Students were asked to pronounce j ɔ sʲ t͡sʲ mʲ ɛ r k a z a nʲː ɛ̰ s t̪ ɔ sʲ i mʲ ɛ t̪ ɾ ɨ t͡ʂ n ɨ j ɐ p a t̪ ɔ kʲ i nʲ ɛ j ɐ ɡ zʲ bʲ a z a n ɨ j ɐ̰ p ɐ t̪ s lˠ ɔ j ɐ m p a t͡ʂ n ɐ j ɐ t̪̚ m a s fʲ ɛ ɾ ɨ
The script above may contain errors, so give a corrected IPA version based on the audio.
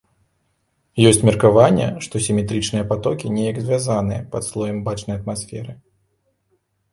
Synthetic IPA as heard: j ɔ sʲ t͡sʲ mʲ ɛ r k a v a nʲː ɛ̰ ʂ t̪ ɔ sʲ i mʲ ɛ t̪ ɾ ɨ t͡ʂ n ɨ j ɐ p a t̪ ɔ kʲ i nʲ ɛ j ɐ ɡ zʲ vʲ a z a n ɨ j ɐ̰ p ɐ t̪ s lˠ ɔ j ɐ m b a t͡ʂ n ɐ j ɐ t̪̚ m a s fʲ ɛ ɾ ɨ